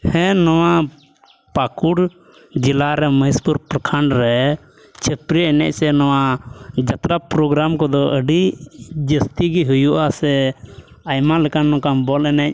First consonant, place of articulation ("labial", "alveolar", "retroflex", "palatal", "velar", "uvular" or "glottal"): glottal